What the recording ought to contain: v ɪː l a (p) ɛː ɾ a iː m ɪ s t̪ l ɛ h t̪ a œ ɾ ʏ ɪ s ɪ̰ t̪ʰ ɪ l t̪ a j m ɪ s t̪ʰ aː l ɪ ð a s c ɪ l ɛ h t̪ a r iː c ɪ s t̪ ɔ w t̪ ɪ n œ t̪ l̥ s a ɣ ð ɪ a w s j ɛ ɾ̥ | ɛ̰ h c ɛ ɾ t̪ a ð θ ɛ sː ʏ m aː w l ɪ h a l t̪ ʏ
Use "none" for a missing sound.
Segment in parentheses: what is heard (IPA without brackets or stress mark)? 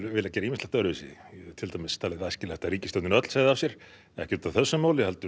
c